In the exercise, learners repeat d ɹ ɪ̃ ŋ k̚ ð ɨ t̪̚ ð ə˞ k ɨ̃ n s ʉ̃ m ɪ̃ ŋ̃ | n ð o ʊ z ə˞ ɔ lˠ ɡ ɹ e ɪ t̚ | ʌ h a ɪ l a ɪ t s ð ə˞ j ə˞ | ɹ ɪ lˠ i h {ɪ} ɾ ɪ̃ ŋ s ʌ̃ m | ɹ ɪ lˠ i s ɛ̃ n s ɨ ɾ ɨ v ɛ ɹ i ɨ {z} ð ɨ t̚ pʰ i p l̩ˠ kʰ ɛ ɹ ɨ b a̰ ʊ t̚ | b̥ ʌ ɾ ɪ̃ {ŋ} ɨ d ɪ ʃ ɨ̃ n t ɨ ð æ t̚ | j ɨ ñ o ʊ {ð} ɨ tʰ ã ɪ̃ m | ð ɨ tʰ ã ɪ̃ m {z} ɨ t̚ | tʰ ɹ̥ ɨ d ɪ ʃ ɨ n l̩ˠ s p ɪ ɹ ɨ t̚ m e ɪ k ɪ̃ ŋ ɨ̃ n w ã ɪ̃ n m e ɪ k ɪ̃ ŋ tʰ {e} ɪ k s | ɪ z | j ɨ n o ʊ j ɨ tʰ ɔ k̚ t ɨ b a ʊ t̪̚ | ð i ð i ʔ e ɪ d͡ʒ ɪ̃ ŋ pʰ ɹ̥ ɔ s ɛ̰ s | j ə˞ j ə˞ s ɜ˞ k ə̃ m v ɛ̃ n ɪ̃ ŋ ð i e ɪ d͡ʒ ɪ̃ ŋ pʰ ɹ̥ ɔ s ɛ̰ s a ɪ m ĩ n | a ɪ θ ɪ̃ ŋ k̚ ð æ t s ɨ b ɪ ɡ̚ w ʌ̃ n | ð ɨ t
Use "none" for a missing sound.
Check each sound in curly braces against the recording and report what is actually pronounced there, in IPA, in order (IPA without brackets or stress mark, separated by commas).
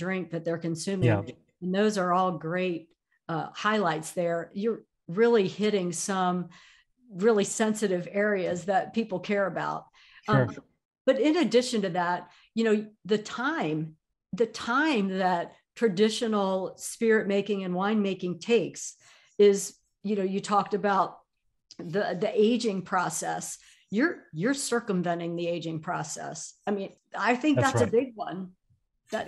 ɪ, z, n, ð, ð, e